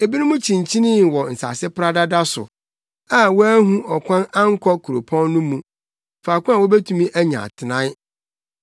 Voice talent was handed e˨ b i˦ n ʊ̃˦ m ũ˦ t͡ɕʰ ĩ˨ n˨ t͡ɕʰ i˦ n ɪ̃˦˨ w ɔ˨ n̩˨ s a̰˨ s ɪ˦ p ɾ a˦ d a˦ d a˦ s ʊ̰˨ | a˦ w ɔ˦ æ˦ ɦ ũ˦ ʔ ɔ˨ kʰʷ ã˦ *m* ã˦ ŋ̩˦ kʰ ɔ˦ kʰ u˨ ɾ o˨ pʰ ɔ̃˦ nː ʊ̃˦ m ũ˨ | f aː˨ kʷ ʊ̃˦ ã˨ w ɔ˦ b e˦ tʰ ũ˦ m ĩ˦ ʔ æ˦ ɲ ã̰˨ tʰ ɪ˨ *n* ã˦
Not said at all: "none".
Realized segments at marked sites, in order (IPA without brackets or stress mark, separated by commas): n, n